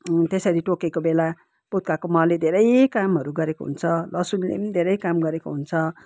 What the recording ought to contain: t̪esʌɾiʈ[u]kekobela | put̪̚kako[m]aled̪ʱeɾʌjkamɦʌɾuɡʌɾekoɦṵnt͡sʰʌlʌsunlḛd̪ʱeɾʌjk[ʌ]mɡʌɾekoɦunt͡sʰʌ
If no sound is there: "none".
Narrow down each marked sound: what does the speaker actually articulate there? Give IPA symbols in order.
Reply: o, m, a

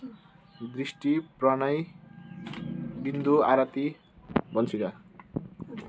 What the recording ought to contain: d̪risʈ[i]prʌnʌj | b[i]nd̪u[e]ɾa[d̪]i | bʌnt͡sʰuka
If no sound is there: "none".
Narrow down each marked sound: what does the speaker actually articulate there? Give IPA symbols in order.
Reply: i, i, a, t̪

